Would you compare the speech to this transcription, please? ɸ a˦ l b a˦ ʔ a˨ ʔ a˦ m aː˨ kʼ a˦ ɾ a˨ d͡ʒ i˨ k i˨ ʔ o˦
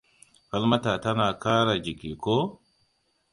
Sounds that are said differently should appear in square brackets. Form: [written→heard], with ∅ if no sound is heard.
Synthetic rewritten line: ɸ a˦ l [b→m] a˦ [ʔ→t] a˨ [ʔ→t] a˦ [m→n] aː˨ [kʼ→k] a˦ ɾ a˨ d͡ʒ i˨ k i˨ [ʔ→k] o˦